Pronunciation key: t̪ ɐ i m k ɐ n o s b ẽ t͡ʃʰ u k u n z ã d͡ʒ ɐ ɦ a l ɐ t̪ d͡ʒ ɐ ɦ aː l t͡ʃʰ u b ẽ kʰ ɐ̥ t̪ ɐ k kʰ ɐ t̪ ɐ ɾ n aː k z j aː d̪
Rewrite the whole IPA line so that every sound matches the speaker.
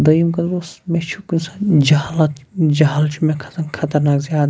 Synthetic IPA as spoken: d̪ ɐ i m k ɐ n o s m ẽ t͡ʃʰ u k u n s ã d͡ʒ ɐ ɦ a l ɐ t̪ d͡ʒ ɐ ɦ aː l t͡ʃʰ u m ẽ kʰ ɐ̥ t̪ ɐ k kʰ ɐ t̪ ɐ ɾ n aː k z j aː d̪